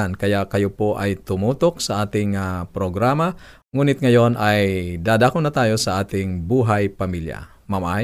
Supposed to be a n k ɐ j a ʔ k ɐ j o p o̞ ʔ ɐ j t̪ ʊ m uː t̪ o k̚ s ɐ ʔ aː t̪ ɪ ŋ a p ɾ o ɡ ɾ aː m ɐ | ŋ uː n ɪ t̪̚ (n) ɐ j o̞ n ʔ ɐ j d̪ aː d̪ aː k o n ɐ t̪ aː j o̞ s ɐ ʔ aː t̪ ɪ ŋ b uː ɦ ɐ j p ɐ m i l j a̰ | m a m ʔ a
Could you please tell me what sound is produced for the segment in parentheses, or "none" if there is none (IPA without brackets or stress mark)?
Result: ŋ